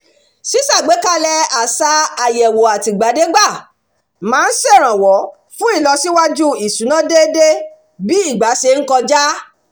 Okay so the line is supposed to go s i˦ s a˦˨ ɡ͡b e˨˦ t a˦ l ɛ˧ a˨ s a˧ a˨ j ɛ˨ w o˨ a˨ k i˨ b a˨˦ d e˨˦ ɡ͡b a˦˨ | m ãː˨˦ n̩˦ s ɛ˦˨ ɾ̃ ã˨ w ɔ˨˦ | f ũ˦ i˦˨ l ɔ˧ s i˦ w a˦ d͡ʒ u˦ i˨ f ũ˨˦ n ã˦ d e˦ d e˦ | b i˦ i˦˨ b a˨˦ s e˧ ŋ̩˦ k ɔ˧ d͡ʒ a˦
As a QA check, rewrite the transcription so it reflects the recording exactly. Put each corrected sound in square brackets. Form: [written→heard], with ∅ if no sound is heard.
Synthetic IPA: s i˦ s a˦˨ ɡ͡b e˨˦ [t→k] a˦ l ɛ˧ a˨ s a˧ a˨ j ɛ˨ w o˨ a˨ [k→t] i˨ [b→ɡ͡b] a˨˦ d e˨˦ ɡ͡b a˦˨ | m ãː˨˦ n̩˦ s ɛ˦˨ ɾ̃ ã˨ w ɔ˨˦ | f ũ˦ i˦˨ l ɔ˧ s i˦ w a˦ d͡ʒ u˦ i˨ [f→s] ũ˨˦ n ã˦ d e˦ d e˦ | b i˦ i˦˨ [b→ɡ͡b] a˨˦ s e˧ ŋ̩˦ k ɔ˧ d͡ʒ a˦